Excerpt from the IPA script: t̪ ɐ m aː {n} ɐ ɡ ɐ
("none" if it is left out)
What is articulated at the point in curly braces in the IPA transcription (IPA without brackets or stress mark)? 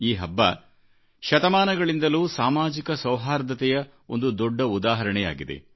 n